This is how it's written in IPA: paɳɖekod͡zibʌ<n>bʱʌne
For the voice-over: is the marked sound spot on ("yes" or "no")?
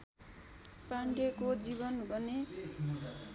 yes